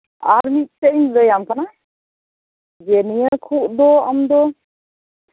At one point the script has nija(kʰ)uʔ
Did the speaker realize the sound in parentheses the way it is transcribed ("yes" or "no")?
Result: yes